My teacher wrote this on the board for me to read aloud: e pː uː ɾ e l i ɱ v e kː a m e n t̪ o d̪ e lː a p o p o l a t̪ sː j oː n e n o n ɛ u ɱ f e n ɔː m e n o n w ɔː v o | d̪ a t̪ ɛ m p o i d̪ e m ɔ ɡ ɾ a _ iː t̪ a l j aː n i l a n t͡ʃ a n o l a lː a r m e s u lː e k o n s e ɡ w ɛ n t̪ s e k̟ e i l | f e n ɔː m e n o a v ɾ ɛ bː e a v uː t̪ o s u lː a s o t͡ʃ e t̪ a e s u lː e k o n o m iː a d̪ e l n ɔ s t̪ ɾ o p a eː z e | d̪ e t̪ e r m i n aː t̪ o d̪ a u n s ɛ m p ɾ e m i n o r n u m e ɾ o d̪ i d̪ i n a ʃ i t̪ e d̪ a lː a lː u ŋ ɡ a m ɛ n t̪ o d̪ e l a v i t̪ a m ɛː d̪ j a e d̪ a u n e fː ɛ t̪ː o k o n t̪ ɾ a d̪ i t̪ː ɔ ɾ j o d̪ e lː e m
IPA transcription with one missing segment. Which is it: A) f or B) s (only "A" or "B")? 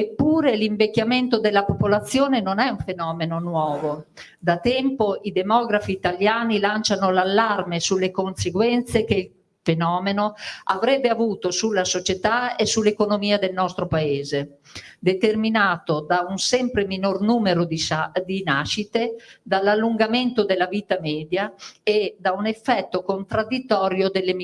A